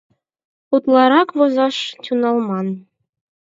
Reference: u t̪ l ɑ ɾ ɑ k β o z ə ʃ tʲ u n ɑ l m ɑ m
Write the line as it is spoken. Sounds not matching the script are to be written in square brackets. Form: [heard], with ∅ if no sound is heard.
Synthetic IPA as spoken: u t̪ l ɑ ɾ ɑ k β o z [ɑ] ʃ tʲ u n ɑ l m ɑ [n]